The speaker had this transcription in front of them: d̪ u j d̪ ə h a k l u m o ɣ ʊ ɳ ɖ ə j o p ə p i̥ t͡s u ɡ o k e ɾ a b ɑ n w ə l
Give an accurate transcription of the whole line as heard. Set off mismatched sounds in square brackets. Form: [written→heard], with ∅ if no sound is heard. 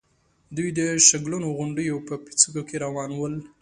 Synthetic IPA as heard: d̪ u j d̪ ə [h→ʃ] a [k→ɡ] l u [m→n] o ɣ ʊ ɳ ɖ ə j o p ə p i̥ t͡s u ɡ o k e ɾ a [b→w] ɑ n w ə l